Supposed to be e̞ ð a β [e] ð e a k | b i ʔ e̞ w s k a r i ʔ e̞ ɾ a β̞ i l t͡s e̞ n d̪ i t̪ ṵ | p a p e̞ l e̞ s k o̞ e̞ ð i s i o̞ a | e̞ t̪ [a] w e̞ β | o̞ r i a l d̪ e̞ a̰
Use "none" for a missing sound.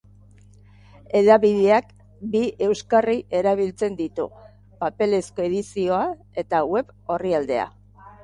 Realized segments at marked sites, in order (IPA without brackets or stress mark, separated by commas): i, a